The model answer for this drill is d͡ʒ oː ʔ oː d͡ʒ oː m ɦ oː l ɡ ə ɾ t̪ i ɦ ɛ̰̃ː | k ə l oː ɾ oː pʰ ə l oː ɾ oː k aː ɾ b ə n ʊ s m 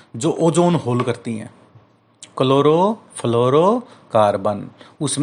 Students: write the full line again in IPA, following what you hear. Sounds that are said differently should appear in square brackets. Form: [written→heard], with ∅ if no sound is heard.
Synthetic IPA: d͡ʒ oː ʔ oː d͡ʒ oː [m→n] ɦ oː l [ɡ→k] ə ɾ t̪ i ɦ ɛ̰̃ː | k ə l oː ɾ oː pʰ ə l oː ɾ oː k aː ɾ b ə n ʊ s m